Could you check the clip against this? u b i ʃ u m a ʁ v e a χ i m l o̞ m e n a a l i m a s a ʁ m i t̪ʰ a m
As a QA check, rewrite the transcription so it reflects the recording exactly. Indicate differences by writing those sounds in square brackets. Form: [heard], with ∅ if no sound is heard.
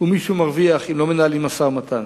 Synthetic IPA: u [m] i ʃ u m a ʁ v [i] a χ i m l o̞ m e n a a l i m a s a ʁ m [a] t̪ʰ a [n]